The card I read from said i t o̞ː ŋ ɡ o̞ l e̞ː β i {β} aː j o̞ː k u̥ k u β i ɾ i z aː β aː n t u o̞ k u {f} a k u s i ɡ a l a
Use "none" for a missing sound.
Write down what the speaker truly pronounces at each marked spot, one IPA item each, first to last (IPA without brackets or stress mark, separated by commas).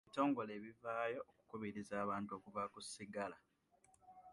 v, v